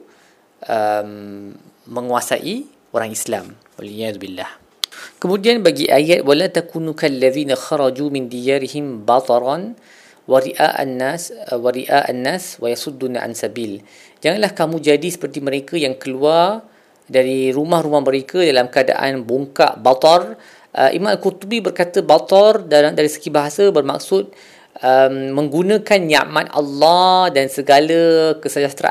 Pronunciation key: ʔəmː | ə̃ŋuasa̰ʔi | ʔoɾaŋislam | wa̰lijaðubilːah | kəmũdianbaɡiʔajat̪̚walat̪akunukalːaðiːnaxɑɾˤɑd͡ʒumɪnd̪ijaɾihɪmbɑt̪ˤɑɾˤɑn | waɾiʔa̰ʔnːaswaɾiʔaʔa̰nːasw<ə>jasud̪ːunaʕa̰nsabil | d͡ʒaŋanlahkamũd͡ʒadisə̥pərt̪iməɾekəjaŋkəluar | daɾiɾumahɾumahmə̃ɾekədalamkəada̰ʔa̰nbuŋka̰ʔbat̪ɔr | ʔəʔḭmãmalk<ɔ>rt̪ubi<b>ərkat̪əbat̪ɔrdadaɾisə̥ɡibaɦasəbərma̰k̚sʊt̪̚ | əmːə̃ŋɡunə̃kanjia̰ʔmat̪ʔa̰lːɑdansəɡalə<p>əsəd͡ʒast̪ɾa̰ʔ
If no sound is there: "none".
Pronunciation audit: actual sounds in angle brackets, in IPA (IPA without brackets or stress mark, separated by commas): a, u, b, k